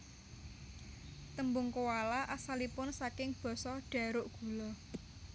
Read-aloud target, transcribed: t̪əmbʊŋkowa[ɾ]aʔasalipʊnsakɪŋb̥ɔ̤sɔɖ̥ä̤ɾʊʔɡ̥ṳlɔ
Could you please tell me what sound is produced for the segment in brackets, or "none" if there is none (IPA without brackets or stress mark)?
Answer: l